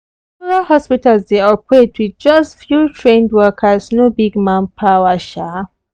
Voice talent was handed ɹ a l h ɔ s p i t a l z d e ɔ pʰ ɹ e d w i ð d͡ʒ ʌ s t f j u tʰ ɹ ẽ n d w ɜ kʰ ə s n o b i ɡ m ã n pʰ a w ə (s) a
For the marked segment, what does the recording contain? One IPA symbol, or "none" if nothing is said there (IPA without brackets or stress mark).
ʃ